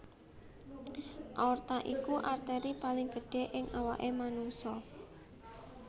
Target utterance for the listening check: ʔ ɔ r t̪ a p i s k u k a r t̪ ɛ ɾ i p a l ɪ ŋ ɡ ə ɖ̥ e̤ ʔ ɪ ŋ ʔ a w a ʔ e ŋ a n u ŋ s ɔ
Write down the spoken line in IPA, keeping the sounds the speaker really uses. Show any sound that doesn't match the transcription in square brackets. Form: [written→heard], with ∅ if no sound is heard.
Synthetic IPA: ʔ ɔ r t̪ a [p→ʔ] i [s→∅] k u [k→ʔ] a r t̪ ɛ ɾ i p a l ɪ ŋ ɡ ə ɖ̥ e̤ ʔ ɪ ŋ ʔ a w a ʔ e [ŋ→m] a n u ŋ s ɔ